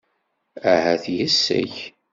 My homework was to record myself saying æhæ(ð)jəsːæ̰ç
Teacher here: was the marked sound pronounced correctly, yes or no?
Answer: no